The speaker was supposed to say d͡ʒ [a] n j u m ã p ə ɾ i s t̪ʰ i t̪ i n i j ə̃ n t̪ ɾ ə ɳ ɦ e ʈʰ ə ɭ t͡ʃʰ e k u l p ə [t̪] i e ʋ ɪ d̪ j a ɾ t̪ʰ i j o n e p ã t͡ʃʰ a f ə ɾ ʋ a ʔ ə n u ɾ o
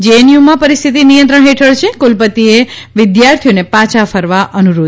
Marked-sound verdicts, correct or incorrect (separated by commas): incorrect, correct